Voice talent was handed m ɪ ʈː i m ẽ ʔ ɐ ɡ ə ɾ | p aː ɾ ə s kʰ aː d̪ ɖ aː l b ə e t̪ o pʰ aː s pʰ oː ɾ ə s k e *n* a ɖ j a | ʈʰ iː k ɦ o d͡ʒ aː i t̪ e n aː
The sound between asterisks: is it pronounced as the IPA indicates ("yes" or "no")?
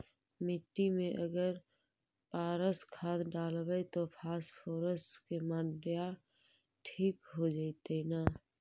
no